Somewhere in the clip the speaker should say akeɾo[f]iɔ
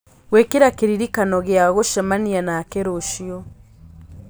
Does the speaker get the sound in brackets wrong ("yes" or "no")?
yes